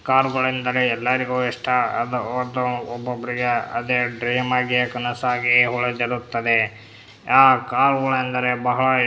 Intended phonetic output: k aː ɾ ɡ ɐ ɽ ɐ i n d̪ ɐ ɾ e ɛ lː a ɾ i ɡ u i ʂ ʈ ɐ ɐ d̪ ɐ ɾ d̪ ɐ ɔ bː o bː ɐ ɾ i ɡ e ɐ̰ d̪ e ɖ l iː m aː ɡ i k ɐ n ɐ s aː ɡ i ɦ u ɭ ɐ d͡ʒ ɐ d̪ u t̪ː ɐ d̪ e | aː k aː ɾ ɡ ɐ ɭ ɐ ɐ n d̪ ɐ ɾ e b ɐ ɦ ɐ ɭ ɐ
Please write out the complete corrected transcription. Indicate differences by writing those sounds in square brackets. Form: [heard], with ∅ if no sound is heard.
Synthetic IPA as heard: k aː ɾ ɡ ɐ [ɭ] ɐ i n d̪ ɐ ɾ e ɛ lː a ɾ i ɡ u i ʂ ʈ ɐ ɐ d̪ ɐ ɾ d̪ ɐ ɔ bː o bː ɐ ɾ i ɡ e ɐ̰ d̪ e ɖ [ɾ] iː m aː ɡ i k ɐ n ɐ s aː ɡ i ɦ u ɭ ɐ d͡ʒ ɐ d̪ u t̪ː ɐ d̪ e | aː k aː ɾ ɡ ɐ ɭ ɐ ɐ n d̪ ɐ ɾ e b ɐ ɦ ɐ ɭ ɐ